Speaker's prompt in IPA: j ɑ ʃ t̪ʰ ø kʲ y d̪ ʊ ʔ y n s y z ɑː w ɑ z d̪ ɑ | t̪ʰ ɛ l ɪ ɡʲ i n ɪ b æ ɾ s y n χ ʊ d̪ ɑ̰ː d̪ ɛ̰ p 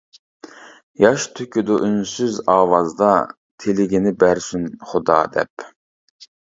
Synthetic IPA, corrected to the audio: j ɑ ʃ t̪ʰ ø kʲ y d̪ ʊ ʔ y n s y z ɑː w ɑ z d̪ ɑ | t̪ʰ e l ɪ ɡʲ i n ɪ b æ ɾ s y n χ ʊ d̪ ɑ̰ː d̪ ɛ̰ p